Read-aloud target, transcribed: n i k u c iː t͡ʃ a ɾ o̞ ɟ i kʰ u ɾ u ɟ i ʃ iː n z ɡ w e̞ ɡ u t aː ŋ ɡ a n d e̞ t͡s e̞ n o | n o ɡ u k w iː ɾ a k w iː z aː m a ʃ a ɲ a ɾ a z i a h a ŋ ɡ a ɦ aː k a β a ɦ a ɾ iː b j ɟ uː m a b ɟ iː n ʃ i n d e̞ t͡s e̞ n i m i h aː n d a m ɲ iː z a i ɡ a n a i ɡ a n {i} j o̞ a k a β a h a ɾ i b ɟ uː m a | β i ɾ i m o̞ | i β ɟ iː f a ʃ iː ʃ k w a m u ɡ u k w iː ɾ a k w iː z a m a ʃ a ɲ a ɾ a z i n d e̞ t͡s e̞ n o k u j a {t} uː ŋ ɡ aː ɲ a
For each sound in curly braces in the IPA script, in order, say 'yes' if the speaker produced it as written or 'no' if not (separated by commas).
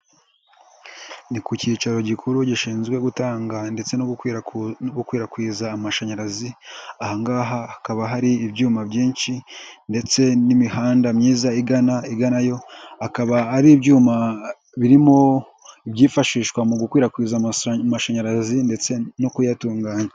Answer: no, yes